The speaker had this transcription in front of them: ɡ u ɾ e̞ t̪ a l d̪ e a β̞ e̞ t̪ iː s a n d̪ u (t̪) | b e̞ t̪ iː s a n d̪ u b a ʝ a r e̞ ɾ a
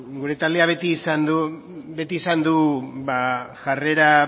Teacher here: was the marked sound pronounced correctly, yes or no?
no